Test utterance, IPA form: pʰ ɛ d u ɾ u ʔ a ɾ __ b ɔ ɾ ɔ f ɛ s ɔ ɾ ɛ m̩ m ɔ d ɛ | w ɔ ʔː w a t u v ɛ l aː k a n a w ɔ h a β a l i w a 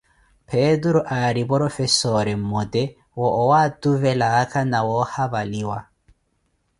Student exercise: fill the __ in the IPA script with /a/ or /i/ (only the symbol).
i